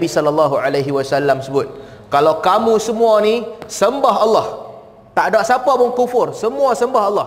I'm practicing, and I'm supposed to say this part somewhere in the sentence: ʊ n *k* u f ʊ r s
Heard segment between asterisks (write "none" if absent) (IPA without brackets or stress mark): k